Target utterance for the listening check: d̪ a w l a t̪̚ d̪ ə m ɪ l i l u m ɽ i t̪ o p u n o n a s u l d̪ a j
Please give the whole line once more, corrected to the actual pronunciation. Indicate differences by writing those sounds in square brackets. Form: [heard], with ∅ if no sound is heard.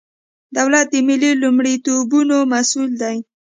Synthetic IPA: d̪ a w l a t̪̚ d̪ ə m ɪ l i l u m ɽ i t̪ o [b] u n o [m] a s u l d̪ a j

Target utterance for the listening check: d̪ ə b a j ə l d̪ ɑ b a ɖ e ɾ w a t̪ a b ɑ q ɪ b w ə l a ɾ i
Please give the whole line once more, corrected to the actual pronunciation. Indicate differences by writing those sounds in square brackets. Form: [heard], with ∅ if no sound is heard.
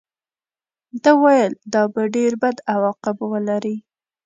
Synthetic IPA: d̪ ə [w] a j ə l d̪ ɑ b a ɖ e ɾ [b] a [d̪] a [w] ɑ q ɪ b w ə l a ɾ i

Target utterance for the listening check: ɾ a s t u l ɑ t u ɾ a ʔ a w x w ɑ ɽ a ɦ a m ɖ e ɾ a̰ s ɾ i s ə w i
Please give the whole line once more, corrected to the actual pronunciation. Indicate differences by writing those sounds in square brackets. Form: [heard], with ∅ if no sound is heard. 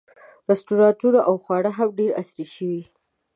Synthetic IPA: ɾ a s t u [ɾ] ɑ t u ɾ a ʔ a w x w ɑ ɽ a ɦ a m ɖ e ɾ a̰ s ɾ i [ʃ] ə w i

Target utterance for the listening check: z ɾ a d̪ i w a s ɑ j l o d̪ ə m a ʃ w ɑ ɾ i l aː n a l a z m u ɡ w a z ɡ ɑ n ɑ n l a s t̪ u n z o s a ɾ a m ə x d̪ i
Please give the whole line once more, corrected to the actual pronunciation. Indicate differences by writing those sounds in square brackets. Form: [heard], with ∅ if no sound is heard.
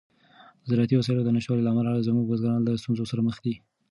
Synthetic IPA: z ɾ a [t̪] i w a s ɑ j l o d̪ ə [n] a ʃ w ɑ [l] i l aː [m] a l a z m u ɡ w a z ɡ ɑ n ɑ n l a s t̪ u n z o s a ɾ a m ə x d̪ i

